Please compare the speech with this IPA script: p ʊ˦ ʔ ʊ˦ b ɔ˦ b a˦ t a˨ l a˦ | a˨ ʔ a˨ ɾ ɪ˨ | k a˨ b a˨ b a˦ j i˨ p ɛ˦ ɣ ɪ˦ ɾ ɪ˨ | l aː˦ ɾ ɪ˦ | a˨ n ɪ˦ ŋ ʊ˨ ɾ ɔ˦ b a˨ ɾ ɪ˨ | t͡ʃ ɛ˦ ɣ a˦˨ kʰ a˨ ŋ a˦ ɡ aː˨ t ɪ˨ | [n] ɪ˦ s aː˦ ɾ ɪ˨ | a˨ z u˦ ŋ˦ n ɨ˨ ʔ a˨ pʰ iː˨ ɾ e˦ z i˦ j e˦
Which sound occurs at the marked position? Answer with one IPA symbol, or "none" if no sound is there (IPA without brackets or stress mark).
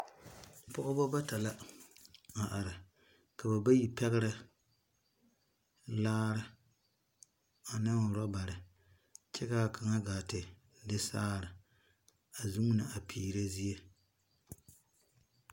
d